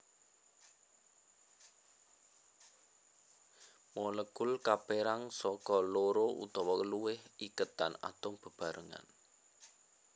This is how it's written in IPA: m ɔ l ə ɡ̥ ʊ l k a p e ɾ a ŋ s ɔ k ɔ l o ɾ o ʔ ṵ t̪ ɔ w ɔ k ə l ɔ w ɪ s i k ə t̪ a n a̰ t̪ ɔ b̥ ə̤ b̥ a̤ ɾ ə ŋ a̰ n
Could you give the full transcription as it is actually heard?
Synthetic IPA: m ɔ l ə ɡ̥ ʊ l k a p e ɾ a ŋ s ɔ k ɔ l o ɾ o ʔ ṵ t̪ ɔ w ɔ k ə l u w ɪ h i k ə t̪ a n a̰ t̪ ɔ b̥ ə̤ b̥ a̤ ɾ ə ŋ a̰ n